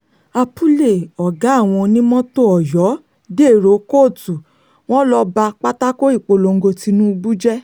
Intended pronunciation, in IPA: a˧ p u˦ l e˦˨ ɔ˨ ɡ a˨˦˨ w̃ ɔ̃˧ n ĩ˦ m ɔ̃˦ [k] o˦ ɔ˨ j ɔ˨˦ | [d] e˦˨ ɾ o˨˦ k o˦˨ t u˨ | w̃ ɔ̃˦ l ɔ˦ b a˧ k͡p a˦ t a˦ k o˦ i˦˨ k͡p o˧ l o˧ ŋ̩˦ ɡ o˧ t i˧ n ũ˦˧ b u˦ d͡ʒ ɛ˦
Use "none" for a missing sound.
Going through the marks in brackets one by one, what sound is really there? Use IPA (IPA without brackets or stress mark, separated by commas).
t, d